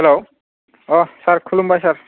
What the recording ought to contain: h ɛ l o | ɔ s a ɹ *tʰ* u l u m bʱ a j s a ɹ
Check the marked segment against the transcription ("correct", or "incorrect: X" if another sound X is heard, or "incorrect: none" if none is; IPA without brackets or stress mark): incorrect: kʰ